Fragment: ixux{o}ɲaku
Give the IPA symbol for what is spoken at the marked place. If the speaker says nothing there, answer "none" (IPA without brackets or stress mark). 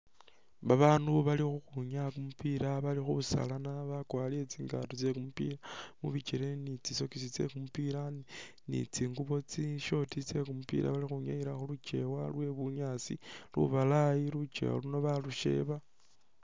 u